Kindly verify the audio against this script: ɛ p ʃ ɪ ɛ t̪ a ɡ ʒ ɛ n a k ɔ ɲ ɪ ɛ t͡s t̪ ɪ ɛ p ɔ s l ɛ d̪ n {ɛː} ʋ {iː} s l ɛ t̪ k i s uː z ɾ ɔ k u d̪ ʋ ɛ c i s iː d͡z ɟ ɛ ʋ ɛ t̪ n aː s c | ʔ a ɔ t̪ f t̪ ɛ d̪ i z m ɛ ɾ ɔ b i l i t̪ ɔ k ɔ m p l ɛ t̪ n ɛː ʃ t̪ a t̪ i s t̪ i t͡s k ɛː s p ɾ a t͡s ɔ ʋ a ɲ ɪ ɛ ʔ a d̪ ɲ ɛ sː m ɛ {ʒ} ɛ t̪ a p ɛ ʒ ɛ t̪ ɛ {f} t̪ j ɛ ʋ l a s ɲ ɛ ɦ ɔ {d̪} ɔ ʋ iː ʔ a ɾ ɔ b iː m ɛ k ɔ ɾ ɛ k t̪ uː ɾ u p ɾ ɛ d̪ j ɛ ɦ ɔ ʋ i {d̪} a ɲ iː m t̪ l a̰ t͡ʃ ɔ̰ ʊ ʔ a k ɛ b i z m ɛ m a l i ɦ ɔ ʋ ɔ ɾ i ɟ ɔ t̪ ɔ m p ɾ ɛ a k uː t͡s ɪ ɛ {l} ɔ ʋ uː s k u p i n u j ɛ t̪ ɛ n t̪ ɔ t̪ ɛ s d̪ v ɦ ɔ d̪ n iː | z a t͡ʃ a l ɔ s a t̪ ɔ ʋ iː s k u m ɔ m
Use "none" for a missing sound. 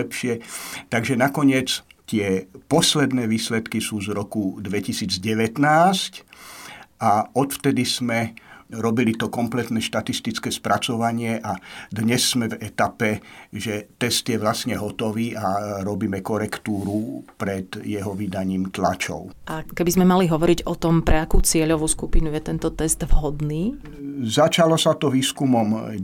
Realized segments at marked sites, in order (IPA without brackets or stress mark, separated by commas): ɛː, iː, v, s, t̪, d̪, ʎ